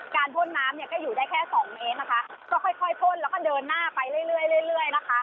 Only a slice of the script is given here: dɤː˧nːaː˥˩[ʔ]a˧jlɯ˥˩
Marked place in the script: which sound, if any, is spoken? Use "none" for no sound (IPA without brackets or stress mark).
p